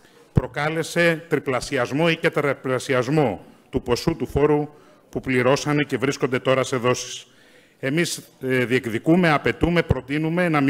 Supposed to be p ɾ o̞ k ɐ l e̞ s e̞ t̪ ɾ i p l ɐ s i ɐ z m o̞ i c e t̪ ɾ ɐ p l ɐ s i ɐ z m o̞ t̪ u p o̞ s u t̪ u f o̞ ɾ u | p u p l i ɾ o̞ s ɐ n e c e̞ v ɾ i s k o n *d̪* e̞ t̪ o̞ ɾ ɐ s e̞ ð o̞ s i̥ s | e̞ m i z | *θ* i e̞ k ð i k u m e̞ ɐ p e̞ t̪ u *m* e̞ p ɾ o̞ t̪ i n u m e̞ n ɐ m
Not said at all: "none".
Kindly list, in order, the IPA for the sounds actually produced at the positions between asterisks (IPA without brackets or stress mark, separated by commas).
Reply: d̪, ð, m